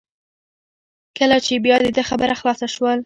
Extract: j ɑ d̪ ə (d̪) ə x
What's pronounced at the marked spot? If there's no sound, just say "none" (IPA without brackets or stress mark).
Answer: d̪